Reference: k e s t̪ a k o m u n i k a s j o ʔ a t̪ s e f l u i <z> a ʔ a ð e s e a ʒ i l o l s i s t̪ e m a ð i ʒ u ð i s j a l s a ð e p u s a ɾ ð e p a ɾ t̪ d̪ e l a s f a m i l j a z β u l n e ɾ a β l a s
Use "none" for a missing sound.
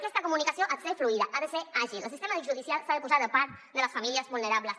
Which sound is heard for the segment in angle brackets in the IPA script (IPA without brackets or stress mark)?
ð